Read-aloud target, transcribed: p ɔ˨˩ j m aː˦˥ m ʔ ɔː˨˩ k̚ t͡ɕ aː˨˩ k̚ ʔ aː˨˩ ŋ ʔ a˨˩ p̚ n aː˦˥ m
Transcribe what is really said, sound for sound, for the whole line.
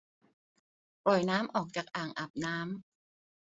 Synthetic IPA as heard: p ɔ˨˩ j n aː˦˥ m ʔ ɔː˨˩ k̚ t͡ɕ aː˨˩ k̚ ʔ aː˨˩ ŋ ʔ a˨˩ p̚ n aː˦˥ m